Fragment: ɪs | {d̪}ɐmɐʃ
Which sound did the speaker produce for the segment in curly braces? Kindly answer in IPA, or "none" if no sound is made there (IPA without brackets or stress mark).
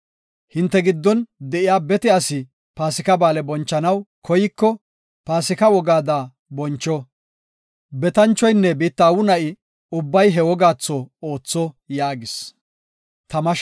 t̪